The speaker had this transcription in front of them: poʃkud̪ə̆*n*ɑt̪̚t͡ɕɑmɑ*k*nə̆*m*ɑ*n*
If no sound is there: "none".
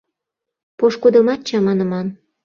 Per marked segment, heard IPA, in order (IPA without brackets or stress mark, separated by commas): m, none, m, n